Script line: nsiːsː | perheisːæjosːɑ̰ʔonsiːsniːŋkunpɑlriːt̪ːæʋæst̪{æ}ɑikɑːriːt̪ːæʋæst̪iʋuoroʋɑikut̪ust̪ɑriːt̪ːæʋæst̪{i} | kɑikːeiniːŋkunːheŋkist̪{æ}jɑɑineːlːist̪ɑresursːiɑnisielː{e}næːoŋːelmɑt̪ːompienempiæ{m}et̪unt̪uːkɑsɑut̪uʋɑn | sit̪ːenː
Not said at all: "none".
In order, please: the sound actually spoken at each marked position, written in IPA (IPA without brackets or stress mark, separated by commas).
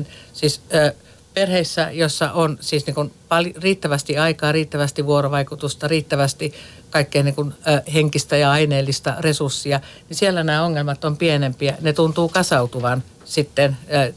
i, i, æ, æ, n